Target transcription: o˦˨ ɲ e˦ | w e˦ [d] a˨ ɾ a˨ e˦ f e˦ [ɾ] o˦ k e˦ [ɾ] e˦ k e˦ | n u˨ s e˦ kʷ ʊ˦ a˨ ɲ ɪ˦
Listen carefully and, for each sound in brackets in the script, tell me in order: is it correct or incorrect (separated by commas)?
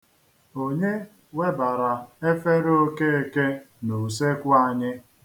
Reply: incorrect, correct, incorrect